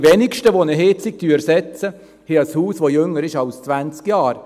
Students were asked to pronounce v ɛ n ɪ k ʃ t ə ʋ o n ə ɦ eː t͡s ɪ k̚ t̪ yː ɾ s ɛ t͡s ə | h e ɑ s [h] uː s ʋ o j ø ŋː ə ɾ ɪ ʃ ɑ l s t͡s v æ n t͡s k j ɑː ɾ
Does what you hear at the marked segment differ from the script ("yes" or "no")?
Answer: no